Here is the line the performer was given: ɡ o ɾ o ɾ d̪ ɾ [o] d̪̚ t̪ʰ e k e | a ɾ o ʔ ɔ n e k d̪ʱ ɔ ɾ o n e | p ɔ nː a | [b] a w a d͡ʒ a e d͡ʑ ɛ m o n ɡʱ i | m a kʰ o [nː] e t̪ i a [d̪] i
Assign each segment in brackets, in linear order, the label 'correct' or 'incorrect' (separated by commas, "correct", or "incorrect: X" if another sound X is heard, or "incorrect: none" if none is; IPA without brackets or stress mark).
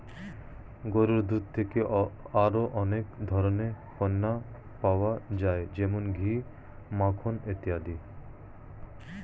incorrect: u, incorrect: p, incorrect: n, correct